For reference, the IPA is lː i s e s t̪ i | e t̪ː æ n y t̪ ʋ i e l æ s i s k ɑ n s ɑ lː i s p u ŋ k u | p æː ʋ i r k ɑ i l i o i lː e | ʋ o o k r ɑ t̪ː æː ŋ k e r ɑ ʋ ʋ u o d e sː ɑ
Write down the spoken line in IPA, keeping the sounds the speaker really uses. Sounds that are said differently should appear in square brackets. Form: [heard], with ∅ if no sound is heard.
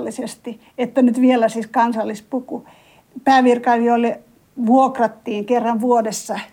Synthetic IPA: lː i s e s t̪ i | e t̪ː æ n y t̪ ʋ i e l æ s i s k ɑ n s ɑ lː i s p u [∅] k u | p æː ʋ i r k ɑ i l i o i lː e | ʋ [u] o k r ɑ t̪ː [iː] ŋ k e [rː] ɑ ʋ ʋ u o d e sː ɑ